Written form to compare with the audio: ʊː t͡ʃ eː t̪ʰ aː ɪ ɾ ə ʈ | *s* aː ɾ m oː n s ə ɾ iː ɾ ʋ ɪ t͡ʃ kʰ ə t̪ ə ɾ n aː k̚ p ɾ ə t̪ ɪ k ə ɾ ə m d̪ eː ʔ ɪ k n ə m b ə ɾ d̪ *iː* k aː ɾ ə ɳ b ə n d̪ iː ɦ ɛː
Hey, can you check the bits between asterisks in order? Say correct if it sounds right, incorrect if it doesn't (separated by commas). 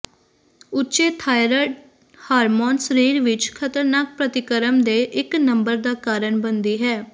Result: incorrect, incorrect